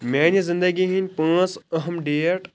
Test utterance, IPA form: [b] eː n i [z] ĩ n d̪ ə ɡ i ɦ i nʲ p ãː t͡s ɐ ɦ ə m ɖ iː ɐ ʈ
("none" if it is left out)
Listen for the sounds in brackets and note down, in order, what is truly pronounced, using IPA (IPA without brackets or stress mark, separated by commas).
m, z